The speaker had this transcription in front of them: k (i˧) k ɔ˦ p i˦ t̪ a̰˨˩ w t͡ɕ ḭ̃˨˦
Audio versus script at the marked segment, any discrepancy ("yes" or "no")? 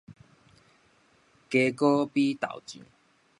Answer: yes